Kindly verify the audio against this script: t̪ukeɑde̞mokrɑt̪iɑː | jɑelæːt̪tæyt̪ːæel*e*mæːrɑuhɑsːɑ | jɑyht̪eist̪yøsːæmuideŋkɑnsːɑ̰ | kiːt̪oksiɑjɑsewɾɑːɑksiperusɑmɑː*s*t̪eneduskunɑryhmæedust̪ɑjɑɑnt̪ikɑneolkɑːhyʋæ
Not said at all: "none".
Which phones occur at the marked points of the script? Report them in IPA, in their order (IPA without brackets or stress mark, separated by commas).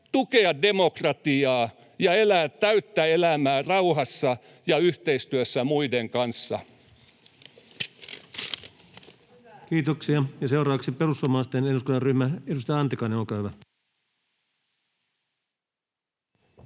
æ, s